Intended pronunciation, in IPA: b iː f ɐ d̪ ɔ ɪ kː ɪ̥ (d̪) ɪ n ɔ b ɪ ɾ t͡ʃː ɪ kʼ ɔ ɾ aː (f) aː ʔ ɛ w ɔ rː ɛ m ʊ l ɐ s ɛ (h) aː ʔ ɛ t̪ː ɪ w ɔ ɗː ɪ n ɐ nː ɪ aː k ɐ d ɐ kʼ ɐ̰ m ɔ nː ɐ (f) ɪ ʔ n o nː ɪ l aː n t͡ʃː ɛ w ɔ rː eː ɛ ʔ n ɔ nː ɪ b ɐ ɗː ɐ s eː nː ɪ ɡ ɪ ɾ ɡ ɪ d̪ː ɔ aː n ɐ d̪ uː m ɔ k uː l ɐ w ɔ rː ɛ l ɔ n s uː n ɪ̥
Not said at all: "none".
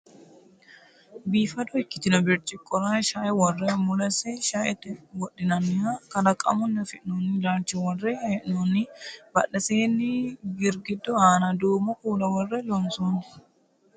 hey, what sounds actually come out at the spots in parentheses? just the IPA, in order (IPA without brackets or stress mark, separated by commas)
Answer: t̪, ʃ, ʃ, f